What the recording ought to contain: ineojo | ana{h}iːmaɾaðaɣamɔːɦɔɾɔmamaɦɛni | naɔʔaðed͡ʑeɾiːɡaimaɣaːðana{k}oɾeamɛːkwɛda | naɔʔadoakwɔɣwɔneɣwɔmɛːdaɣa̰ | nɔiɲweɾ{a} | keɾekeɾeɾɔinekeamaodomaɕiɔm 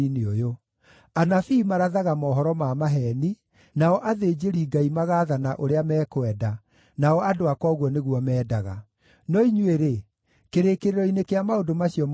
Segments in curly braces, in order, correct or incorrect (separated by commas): incorrect, incorrect, incorrect